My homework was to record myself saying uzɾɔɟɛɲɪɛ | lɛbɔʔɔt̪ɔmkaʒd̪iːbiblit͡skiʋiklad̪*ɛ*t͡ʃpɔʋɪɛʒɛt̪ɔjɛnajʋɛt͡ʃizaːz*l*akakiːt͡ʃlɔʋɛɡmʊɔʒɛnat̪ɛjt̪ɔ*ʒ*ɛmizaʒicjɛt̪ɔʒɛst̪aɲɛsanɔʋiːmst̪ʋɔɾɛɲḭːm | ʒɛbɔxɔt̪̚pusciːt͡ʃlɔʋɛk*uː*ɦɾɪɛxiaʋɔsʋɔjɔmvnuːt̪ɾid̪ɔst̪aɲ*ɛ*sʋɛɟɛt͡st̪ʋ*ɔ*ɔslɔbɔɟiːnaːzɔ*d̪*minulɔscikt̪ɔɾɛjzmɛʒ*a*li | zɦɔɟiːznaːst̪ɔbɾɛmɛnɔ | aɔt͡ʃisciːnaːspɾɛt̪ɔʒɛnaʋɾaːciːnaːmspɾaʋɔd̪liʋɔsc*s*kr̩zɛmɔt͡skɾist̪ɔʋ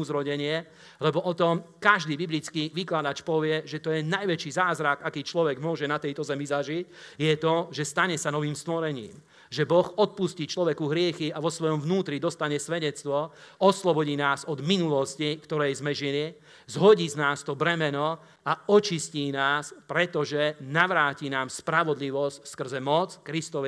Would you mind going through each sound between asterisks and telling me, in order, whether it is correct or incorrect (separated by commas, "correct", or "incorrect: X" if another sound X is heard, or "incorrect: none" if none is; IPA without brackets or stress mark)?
incorrect: a, incorrect: ɾ, incorrect: z, incorrect: u, correct, correct, correct, incorrect: i, correct